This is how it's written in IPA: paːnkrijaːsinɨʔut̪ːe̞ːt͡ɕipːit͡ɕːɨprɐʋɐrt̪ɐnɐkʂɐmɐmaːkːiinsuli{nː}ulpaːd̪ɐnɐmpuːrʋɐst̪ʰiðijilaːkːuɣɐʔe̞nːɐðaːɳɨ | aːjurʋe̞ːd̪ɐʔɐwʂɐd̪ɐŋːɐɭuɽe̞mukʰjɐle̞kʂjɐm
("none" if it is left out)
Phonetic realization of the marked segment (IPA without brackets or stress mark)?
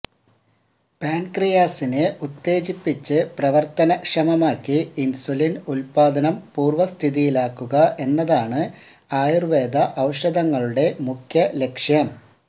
n